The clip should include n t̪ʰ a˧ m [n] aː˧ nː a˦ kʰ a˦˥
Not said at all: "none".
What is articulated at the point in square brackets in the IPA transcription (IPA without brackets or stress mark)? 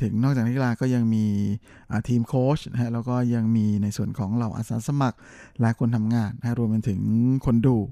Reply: ŋ